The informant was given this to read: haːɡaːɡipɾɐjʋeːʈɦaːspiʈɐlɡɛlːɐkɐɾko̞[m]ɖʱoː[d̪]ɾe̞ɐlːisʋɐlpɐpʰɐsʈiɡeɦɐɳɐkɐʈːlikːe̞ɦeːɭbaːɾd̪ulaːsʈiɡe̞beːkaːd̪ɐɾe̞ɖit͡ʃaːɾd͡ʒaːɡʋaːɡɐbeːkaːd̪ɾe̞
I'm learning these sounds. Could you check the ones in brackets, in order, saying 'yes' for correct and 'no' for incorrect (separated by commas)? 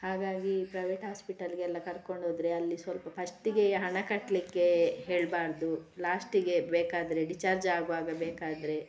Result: no, yes